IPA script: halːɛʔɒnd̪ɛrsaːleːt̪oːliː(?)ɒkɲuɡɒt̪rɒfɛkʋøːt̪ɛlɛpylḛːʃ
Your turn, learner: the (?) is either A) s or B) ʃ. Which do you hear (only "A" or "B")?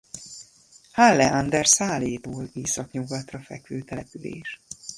A